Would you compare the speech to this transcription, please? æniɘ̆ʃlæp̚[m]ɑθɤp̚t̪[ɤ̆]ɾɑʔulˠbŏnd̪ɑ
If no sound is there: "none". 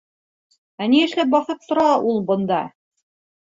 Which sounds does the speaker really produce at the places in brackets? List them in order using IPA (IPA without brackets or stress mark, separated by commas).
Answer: b, ŏ